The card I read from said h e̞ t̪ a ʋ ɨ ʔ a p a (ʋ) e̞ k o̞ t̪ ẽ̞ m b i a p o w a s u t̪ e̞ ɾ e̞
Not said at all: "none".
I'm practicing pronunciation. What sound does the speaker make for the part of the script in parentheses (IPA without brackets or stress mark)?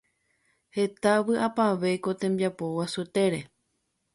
ʋ